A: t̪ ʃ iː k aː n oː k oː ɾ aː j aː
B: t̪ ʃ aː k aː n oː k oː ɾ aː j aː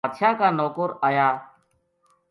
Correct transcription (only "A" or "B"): B